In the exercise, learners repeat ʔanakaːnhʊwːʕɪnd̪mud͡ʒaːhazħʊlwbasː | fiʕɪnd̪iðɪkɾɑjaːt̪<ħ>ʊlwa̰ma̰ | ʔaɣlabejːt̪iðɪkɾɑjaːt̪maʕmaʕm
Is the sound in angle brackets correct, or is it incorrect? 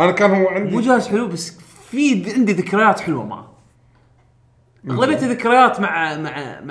correct